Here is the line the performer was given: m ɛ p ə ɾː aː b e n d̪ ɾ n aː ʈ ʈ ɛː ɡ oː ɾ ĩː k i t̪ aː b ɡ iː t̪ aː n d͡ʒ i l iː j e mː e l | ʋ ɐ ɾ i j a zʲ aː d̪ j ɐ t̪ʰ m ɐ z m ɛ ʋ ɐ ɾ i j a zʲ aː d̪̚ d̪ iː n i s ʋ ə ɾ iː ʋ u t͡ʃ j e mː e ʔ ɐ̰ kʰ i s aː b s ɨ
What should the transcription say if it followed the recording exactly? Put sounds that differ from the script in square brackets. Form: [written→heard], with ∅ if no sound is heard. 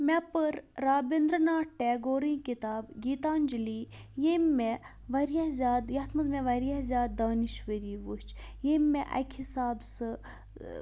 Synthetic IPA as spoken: m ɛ p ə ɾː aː b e n d̪ ɾ n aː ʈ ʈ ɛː ɡ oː ɾ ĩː k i t̪ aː b ɡ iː t̪ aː n d͡ʒ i l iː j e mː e [l→∅] | ʋ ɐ ɾ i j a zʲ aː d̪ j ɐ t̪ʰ m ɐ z m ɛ ʋ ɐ ɾ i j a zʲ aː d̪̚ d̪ [iː→aː] n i [s→ʃ] ʋ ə ɾ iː ʋ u t͡ʃ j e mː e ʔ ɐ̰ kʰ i s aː b s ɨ

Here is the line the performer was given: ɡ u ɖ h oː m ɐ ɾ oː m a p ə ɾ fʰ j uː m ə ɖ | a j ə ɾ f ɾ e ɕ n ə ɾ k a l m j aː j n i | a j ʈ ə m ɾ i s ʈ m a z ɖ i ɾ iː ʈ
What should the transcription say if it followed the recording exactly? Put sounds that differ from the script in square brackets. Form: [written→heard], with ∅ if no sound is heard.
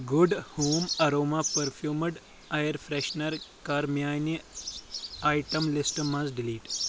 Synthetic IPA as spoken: ɡ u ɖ h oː m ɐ ɾ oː m a p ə ɾ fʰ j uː m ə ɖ | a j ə ɾ f ɾ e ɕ n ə ɾ k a [l→ɾ] m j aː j n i | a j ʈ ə m [ɾ→l] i s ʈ m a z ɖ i [ɾ→l] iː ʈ

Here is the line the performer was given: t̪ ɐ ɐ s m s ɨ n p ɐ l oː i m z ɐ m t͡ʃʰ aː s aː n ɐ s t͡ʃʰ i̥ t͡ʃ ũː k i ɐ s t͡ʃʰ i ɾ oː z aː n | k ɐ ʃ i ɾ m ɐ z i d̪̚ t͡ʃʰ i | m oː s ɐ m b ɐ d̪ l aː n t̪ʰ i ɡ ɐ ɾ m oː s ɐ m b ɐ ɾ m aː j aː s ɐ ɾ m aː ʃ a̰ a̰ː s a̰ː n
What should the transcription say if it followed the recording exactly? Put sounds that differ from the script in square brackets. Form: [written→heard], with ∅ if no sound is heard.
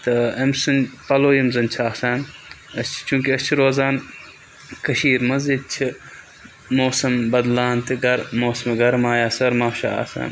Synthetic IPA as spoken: t̪ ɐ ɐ [s→∅] m s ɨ n p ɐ l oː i m z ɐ [m→n] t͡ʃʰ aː s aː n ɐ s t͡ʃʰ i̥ t͡ʃ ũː k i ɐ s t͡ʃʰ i ɾ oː z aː n | k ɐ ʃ [i→iː] ɾ m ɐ z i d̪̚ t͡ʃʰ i | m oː s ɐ m b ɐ d̪ l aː n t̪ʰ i ɡ ɐ ɾ m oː s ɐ m [b→ɡ] ɐ ɾ m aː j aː s ɐ ɾ m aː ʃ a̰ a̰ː s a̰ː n

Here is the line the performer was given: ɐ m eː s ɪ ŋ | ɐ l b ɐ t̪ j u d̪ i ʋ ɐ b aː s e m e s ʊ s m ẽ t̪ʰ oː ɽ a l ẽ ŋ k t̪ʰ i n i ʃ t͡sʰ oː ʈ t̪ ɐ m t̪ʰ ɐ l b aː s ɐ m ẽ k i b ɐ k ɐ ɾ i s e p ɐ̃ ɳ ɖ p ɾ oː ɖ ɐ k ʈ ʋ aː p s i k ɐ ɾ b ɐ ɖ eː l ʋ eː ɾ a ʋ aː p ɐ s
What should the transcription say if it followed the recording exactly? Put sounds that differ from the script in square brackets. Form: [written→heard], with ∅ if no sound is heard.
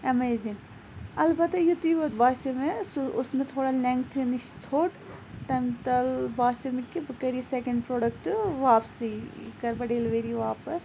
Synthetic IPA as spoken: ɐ m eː [s→z] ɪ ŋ | ɐ l b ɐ t̪ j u [d̪→t̪] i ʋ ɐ b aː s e m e s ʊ s m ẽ t̪ʰ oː ɽ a l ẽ ŋ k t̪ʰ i n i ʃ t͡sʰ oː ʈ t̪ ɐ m [t̪ʰ→t̪] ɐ l b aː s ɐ m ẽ k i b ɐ k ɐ ɾ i s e [p→k] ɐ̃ ɳ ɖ p ɾ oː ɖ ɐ k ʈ ʋ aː p s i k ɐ ɾ b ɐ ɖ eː l ʋ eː ɾ [a→i] ʋ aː p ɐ s

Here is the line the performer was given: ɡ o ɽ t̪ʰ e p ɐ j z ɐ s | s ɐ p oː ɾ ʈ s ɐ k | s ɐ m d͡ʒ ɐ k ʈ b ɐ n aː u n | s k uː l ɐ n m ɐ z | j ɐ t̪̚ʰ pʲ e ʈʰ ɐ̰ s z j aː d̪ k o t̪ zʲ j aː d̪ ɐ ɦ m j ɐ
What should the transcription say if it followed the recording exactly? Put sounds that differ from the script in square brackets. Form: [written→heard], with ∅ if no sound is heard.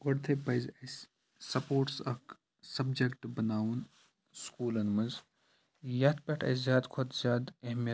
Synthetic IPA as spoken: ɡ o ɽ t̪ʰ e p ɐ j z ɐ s | s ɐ p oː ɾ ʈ s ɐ k | s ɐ [m→b] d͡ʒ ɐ k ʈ b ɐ n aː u n | s k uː l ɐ n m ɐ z | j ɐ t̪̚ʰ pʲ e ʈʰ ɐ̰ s z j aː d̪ [k→kʰ] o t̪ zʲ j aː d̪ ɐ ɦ m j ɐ

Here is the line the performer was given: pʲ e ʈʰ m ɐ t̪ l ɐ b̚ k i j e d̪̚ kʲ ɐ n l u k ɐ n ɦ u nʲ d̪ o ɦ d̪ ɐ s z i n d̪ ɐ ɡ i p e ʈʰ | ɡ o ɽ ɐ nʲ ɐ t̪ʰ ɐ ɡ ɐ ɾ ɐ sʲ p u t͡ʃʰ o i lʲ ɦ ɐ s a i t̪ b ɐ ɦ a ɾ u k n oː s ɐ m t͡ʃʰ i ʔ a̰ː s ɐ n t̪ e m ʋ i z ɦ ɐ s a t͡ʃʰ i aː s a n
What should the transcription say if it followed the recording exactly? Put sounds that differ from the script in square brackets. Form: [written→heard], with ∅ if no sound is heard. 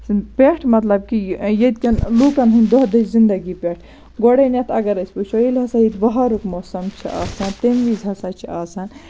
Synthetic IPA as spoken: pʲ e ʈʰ m ɐ t̪ l ɐ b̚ k i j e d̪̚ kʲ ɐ n l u k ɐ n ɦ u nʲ d̪ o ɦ d̪ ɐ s z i n d̪ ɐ ɡ i p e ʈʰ | ɡ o ɽ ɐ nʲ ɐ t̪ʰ ɐ ɡ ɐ ɾ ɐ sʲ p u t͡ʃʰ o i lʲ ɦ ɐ s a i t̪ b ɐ ɦ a ɾ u k [n→m] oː s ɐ m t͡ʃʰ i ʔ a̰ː s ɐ n t̪ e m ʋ i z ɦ ɐ s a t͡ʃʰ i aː s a n

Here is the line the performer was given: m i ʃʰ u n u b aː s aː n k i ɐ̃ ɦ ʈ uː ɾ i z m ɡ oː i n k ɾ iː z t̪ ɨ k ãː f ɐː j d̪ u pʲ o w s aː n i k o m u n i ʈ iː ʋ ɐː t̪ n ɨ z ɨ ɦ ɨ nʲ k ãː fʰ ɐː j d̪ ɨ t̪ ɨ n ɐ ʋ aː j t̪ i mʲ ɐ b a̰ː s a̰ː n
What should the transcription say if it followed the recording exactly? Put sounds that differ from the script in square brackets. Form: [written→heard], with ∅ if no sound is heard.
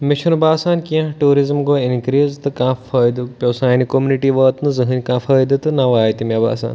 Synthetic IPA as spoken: m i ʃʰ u n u b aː s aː n k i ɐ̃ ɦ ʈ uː ɾ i z m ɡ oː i n k ɾ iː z t̪ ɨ k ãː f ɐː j d̪ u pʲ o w s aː n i k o m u n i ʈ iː ʋ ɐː t̪ n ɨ z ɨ ɦ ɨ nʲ k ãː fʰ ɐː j d̪ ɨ t̪ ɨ n ɐ ʋ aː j t̪ i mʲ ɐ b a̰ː s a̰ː n

